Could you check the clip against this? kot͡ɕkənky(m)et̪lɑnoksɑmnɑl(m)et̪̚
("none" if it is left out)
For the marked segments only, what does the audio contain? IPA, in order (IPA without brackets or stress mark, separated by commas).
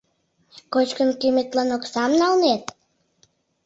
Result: m, n